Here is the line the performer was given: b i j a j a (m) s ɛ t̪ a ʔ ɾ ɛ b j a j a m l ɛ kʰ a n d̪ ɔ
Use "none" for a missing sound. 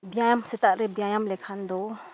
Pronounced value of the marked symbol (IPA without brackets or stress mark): m